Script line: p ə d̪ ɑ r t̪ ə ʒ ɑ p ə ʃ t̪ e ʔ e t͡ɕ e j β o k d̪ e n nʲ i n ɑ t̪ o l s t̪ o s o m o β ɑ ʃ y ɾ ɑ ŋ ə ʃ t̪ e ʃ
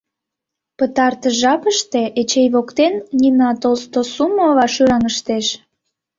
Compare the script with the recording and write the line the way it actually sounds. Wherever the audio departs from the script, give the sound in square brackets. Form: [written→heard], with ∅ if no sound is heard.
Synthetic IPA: p ə [d̪→t̪] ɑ r t̪ ə ʒ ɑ p ə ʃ t̪ e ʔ e t͡ɕ e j β o k [d̪→t̪] e n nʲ i n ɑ t̪ o l s t̪ o s [o→u] m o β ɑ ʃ y ɾ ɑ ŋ ə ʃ t̪ e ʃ